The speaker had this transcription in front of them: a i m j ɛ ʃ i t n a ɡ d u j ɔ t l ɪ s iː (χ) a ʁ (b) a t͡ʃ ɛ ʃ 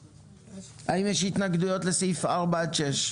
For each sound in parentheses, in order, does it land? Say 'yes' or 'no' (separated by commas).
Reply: no, yes